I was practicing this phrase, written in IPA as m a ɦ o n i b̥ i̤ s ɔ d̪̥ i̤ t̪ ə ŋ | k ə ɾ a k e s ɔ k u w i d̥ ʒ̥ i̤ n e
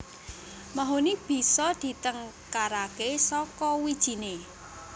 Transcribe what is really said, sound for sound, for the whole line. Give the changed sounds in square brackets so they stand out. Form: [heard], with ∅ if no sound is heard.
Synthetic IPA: m a ɦ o n i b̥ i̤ s ɔ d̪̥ i̤ t̪ ə ŋ | k [a] ɾ a k e s ɔ k [ɔ] w i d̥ ʒ̥ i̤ n e

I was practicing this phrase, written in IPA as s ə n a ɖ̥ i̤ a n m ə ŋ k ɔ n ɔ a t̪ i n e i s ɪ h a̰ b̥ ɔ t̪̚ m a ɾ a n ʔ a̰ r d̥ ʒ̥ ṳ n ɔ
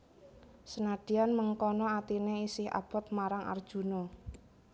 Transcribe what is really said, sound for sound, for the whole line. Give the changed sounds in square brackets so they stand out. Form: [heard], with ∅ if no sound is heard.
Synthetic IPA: s ə n a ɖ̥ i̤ a n m ə ŋ k ɔ n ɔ a t̪ i n e i s ɪ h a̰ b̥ ɔ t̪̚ m a ɾ a [ŋ] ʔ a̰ r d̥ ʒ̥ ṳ n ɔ

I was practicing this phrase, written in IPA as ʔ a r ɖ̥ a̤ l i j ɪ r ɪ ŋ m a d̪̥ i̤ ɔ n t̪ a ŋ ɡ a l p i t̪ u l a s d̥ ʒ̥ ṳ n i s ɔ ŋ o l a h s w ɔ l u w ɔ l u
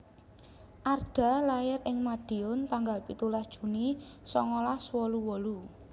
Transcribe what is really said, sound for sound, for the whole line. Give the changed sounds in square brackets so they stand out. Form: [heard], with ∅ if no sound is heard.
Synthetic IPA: ʔ a r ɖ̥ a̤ l [a] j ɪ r ɪ ŋ m a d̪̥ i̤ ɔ n t̪ a ŋ ɡ a l p i t̪ u l a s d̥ ʒ̥ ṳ n i s ɔ ŋ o l a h s w ɔ l u w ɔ l u

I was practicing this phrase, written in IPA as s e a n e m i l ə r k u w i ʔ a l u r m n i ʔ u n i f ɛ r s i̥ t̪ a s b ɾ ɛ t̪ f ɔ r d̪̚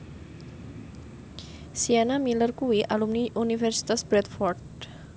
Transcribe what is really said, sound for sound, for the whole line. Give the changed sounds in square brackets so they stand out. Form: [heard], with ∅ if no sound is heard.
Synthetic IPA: s [i] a n [a] m i l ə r k u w i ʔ a l u [∅] m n i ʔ u n i f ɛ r s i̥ t̪ a s b ɾ ɛ t̪ f ɔ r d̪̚

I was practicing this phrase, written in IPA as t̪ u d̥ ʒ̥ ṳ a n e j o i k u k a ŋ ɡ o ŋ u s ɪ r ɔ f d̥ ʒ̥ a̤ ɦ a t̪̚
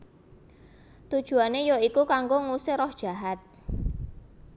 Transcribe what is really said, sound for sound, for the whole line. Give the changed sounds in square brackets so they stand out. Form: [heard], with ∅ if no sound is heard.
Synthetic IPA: t̪ u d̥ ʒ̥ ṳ a n e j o i k u k a ŋ ɡ o ŋ u s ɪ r ɔ [h] d̥ ʒ̥ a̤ ɦ a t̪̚

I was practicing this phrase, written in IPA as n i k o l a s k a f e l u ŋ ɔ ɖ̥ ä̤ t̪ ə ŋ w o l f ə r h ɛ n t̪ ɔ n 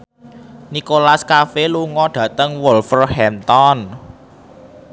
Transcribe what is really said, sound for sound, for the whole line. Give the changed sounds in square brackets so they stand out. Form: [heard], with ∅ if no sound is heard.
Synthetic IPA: n i k o l a s k a f e l u ŋ ɔ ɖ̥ ä̤ t̪ ə ŋ w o l f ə r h ɛ n t̪ ɔ n

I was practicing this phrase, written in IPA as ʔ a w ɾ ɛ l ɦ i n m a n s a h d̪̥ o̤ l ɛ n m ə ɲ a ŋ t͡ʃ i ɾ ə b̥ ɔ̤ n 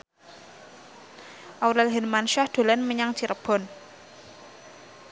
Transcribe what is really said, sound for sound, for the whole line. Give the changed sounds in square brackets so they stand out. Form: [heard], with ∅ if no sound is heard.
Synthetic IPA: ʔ a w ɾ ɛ l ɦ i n m a n [ʃ] a h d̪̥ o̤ l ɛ n m ə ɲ a ŋ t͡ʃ i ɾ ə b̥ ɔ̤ n

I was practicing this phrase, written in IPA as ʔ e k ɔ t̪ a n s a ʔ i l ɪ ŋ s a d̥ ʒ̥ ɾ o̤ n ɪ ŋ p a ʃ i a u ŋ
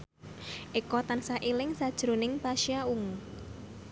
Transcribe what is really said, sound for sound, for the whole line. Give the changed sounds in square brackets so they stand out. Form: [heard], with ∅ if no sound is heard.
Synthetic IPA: ʔ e k ɔ t̪ a n s a ʔ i l ɪ ŋ s a d̥ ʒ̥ ɾ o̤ n ɪ ŋ p a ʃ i a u ŋ

